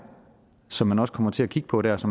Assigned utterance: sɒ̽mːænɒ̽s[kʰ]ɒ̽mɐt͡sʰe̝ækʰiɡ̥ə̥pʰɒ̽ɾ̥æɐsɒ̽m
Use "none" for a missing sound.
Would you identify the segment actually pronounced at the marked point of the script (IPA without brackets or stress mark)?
kʰ